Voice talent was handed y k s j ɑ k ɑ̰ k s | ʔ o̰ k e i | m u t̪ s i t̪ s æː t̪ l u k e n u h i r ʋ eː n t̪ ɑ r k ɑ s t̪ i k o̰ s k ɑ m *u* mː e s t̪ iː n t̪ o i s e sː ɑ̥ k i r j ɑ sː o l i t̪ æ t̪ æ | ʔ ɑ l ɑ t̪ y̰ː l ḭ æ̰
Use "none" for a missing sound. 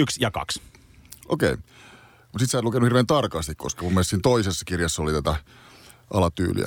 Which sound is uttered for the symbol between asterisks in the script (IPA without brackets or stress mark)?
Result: u